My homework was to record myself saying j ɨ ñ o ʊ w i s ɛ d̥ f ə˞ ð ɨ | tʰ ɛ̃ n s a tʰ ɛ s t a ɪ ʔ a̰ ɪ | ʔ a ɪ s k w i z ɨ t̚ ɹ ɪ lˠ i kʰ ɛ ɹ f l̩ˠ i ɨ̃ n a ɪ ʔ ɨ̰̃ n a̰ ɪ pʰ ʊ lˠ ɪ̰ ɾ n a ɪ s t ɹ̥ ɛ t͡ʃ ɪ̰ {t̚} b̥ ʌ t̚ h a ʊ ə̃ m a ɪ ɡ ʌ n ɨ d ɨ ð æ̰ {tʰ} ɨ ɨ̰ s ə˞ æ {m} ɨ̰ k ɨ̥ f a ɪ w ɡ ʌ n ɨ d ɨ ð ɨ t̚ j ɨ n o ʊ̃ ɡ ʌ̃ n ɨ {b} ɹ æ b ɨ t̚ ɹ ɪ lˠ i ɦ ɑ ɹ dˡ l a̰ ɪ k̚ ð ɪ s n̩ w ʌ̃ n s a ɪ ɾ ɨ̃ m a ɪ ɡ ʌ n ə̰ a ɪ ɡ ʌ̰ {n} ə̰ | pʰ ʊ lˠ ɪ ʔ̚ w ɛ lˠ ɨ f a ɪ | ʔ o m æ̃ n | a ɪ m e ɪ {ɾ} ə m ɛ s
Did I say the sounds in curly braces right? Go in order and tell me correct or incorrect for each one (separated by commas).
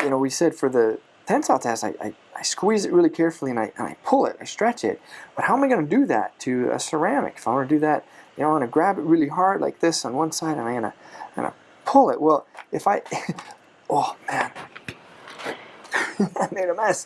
correct, correct, correct, incorrect, correct, correct